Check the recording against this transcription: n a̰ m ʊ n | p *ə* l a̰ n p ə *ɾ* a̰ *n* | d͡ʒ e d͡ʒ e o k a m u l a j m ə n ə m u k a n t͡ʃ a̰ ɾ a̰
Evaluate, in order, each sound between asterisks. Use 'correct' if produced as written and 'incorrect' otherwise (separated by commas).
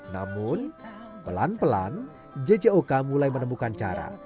correct, incorrect, correct